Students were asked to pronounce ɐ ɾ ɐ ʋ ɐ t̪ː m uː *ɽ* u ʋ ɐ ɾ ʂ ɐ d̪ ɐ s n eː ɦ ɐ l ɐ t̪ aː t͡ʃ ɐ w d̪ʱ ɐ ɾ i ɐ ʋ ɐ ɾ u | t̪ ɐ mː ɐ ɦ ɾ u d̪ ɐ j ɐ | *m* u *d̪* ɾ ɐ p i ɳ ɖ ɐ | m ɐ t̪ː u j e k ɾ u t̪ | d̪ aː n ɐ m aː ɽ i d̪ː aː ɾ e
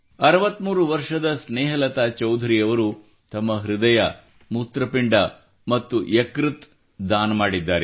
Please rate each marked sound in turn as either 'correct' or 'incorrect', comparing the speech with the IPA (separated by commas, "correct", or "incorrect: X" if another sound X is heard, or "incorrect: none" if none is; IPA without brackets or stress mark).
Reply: incorrect: ɾ, correct, incorrect: t̪